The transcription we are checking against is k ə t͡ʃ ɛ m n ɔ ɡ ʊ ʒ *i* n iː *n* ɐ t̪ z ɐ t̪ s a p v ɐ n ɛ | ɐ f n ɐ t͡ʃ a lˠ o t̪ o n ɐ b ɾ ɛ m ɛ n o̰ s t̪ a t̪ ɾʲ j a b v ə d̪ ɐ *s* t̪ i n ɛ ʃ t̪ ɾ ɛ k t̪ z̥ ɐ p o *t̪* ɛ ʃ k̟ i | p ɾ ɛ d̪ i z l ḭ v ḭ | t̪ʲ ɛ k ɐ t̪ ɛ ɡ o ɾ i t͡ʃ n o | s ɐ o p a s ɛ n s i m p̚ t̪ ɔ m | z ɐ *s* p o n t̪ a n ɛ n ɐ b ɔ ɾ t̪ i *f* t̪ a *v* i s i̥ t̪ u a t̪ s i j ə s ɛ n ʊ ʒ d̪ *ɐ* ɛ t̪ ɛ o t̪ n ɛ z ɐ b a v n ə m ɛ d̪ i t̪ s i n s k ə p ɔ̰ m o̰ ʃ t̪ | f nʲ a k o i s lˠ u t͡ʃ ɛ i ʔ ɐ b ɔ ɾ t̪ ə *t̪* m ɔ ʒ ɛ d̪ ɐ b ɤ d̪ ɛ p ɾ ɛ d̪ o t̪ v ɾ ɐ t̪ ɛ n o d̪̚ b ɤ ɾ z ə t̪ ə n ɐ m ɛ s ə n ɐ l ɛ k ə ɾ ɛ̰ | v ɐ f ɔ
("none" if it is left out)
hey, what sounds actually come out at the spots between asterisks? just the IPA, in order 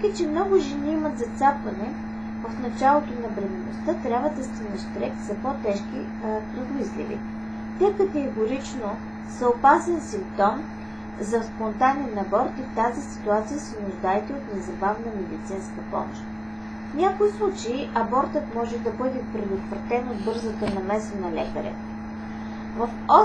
ɛ, m, s, t̪, s, f, z, a, t̪

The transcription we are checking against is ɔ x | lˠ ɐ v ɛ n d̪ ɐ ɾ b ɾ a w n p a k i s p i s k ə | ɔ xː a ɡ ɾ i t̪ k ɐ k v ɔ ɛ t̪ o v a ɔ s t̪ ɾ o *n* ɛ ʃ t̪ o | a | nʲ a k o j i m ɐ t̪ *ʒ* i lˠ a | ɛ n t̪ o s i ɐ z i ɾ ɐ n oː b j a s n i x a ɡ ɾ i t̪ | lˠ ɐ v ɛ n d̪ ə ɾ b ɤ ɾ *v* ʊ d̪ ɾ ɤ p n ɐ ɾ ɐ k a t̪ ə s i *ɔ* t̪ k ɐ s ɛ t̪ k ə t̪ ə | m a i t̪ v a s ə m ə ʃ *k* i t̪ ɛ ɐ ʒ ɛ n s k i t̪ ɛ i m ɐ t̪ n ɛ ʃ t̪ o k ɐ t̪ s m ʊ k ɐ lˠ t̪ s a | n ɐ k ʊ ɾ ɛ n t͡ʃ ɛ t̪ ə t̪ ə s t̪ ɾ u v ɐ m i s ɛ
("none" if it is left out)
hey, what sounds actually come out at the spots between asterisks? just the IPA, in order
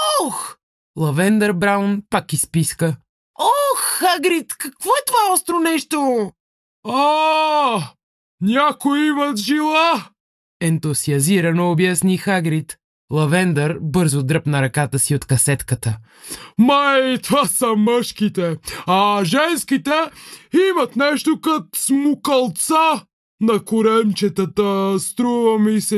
n, ʒ, z, o, k

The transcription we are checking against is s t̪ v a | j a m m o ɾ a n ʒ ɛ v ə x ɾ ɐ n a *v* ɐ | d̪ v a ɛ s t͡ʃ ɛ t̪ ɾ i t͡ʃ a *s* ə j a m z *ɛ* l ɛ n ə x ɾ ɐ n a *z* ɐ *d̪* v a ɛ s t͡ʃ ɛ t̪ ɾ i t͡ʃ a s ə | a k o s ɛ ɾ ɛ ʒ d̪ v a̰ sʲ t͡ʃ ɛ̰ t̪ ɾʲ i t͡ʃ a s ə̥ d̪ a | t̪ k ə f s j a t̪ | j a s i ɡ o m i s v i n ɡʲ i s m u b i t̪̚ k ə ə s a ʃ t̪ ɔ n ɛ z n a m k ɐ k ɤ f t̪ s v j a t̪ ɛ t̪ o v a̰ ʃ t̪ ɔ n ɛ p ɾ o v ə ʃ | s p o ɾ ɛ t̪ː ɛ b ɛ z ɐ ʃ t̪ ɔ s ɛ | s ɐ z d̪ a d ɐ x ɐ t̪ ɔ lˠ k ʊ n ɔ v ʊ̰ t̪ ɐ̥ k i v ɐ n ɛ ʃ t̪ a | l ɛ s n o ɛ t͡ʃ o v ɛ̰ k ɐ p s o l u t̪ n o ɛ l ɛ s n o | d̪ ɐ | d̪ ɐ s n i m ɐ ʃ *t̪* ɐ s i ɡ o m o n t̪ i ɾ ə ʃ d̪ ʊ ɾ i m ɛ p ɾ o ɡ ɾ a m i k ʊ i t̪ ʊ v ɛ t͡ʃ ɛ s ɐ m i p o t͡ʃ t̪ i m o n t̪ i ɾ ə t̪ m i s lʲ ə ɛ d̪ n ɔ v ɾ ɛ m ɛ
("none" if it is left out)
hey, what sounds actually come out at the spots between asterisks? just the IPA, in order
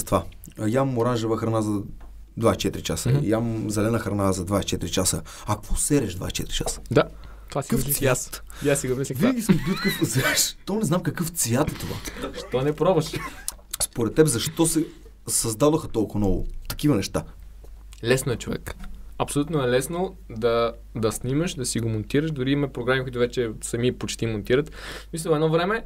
z, s, ɛ, z, d̪, d̪

